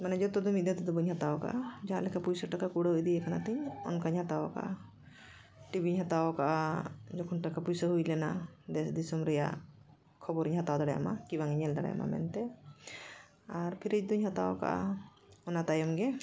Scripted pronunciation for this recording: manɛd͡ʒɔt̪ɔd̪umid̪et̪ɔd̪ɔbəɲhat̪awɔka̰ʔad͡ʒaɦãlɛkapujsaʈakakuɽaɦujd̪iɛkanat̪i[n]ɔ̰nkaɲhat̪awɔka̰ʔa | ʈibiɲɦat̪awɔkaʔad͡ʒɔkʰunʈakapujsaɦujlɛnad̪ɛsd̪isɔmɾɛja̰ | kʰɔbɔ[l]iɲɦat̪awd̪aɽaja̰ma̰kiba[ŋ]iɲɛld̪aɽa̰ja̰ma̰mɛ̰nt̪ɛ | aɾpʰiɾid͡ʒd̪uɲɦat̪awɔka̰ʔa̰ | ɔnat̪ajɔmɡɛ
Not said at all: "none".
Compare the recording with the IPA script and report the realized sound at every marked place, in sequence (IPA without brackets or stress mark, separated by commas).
ɲ, ɾ, ŋ